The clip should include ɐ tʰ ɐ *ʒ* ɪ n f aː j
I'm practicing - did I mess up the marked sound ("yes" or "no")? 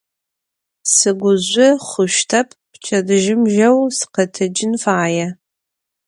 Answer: yes